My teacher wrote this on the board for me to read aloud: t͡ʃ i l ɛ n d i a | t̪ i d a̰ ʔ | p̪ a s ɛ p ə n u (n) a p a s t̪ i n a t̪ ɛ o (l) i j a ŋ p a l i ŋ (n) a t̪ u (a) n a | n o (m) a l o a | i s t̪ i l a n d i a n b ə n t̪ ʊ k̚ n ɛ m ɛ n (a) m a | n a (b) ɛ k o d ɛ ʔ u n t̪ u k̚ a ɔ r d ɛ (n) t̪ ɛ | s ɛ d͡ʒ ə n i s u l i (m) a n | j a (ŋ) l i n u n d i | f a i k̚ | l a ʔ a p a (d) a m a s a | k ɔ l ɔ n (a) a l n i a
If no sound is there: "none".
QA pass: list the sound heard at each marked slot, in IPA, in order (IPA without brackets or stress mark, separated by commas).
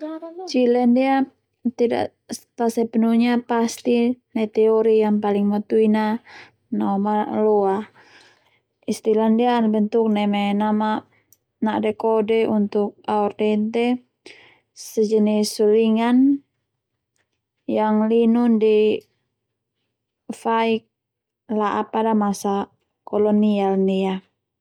ɲ, ɾ, m, i, m, a, d, n, ŋ, ŋ, d, i